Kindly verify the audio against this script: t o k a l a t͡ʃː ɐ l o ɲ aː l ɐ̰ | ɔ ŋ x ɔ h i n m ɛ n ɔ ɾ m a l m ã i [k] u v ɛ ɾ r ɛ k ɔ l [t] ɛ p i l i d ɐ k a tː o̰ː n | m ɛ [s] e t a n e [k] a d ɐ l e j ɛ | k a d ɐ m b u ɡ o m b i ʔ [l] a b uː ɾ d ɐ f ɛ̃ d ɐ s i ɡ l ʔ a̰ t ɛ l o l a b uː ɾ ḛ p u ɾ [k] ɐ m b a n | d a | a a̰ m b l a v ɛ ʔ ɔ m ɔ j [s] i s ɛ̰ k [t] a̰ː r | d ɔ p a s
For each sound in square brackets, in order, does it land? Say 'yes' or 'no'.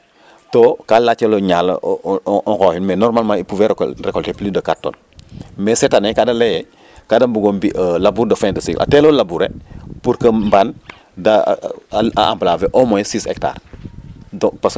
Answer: no, yes, yes, yes, yes, yes, yes, yes

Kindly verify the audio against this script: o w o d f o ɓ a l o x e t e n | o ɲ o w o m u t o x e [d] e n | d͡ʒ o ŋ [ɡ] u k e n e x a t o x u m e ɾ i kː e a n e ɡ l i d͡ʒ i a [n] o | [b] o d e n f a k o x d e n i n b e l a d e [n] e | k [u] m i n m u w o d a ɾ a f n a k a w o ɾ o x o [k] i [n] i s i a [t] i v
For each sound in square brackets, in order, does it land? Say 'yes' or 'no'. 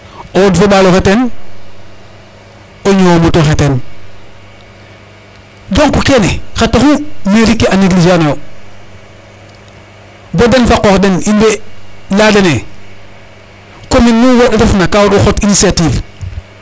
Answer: no, no, yes, yes, yes, no, no, yes, yes

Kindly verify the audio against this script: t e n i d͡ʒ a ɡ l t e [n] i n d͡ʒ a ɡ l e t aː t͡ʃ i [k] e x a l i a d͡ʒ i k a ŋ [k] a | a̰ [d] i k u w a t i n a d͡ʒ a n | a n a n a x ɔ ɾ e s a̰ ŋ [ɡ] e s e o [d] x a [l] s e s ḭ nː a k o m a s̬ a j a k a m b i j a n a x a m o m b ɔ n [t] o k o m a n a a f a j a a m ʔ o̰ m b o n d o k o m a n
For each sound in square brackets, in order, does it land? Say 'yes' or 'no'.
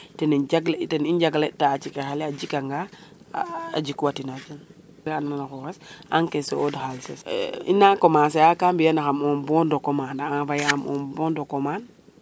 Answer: yes, yes, no, no, no, yes, yes, no

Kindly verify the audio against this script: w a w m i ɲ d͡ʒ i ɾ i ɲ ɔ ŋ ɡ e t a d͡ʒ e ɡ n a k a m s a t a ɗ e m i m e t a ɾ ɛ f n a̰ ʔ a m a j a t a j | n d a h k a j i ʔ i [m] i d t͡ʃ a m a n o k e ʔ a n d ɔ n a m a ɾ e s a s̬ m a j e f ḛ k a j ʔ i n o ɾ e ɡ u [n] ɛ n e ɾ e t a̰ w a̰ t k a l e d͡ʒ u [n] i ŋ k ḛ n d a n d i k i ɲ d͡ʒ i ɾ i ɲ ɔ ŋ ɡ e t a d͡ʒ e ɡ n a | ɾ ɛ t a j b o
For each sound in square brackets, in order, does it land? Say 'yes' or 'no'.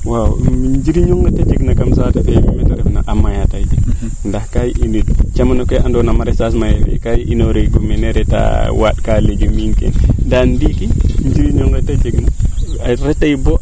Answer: no, no, no

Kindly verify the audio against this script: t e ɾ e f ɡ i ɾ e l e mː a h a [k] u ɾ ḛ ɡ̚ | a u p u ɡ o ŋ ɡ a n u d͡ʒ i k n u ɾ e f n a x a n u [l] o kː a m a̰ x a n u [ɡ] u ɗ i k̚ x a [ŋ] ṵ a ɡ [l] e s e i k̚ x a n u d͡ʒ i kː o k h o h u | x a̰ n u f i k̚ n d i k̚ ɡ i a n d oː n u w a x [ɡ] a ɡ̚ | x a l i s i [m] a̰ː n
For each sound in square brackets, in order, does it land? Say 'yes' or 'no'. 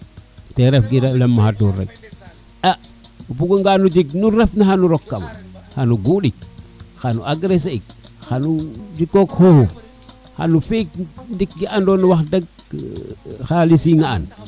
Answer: no, no, yes, no, no, no, no

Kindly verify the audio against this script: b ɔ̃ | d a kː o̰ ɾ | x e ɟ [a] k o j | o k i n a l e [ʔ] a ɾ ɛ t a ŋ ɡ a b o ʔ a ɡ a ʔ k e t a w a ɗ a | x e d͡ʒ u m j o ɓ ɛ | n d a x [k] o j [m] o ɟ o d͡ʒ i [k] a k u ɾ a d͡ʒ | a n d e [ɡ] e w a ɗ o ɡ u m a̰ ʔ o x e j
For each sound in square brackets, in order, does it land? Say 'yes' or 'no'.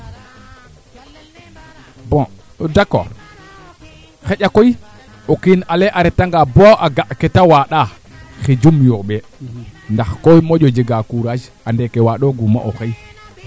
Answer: yes, yes, yes, yes, no, no

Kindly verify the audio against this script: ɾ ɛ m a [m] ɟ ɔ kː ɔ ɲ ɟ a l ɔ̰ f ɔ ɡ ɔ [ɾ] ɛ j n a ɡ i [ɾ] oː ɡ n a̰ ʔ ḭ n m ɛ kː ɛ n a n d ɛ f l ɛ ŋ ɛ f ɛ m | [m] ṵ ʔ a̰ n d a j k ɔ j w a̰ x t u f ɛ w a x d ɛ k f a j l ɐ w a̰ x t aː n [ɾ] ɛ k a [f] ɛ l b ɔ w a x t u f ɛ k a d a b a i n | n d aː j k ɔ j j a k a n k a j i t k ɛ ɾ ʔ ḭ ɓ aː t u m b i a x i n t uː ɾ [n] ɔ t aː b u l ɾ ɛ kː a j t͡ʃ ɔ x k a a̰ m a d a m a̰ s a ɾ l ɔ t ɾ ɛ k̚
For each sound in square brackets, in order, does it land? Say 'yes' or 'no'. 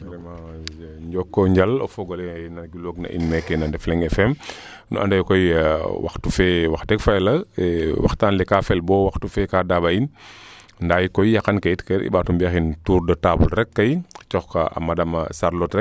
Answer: no, no, no, no, no, yes, no

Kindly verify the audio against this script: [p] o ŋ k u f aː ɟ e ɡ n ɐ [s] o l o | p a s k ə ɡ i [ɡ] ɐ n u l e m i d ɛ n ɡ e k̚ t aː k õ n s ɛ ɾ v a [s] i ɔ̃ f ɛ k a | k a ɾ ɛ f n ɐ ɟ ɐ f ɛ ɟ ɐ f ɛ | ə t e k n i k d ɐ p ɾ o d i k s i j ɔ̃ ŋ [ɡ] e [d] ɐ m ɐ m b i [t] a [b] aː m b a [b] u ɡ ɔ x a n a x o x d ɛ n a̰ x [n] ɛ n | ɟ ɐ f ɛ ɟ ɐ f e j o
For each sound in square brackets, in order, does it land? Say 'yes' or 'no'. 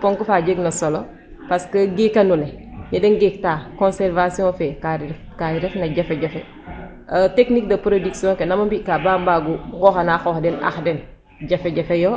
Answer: yes, yes, no, yes, no, no, no, yes, no, no

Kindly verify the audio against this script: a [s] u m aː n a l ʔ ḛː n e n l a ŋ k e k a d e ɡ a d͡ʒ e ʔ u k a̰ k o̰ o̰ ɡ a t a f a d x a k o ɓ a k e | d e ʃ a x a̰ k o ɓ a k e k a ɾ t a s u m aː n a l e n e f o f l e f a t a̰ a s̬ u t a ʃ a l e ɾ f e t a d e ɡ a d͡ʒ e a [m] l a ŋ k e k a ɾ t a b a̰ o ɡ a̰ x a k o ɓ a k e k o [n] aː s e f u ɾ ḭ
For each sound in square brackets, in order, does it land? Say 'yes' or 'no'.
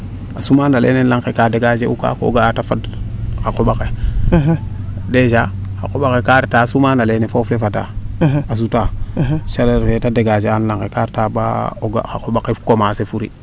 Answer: yes, no, no

